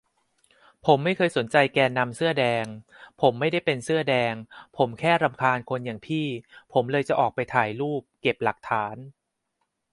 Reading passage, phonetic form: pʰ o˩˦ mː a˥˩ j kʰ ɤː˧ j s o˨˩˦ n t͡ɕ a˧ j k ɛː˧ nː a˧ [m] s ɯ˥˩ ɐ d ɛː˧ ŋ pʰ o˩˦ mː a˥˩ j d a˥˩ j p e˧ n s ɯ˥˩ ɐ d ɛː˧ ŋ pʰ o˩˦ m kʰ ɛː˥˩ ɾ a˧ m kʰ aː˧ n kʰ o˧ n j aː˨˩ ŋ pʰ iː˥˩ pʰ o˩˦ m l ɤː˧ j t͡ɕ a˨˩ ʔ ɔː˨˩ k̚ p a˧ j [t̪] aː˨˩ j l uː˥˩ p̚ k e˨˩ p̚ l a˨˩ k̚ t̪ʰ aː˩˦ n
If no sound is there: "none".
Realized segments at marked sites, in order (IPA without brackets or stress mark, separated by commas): m, t̪ʰ